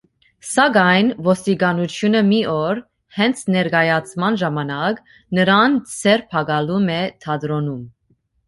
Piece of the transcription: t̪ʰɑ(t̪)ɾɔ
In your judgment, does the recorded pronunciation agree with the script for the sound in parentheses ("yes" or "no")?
no